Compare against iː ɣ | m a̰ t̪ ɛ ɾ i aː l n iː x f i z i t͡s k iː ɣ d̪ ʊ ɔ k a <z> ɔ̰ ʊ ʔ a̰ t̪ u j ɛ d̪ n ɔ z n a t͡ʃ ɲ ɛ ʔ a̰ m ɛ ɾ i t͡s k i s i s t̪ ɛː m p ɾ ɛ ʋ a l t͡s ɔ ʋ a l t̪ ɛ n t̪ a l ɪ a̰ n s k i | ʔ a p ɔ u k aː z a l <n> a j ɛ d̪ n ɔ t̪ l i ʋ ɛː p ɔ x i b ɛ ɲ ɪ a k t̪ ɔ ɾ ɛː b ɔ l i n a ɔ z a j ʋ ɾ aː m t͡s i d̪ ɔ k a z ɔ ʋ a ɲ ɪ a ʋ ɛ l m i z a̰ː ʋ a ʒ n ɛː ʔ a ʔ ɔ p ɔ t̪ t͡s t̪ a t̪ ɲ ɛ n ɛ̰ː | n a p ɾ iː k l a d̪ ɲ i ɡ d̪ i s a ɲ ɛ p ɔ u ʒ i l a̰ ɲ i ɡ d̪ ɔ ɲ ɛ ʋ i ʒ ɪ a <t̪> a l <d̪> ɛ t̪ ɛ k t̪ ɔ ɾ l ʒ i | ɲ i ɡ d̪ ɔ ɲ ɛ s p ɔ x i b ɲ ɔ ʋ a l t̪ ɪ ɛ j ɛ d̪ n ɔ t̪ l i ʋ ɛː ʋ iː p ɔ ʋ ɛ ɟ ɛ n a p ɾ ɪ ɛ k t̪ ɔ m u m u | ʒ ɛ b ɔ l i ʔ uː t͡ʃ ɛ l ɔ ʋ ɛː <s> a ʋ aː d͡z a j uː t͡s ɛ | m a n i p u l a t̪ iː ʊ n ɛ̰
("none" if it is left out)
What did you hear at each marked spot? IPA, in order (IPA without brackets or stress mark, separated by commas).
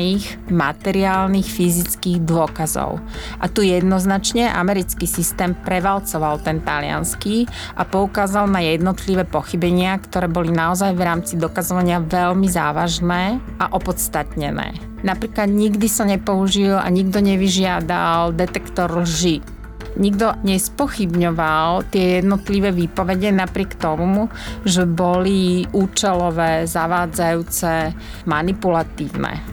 z, n, d̪, d̪, z